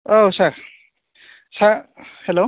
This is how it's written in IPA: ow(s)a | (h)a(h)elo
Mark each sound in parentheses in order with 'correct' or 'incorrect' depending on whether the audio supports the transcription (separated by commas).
correct, incorrect, correct